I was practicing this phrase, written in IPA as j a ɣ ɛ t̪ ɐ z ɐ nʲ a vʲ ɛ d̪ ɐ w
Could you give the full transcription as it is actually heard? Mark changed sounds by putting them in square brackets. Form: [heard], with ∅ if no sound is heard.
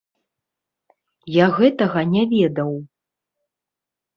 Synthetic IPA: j a ɣ ɛ t̪ ɐ [ɣ] ɐ nʲ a vʲ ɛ d̪ ɐ w